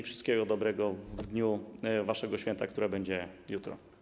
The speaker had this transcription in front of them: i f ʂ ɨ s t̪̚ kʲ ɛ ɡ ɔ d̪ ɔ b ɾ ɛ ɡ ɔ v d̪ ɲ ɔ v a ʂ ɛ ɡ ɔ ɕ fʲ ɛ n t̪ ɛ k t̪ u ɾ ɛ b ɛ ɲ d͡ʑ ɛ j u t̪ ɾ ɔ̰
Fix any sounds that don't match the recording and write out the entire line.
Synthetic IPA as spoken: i f ʂ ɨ s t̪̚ kʲ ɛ ɡ ɔ d̪ ɔ b ɾ ɛ ɡ ɔ v d̪ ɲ u v a ʂ ɛ ɡ ɔ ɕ fʲ ɛ n t̪ a k t̪ u ɾ ɛ b ɛ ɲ d͡ʑ ɛ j u t̪ ɾ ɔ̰